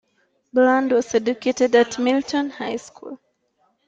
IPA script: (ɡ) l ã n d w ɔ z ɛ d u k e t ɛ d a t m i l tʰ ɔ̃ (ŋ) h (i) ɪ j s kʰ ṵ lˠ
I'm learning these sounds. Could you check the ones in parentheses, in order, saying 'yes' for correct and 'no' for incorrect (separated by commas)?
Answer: no, no, no